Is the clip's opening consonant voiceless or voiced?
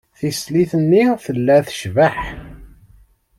voiceless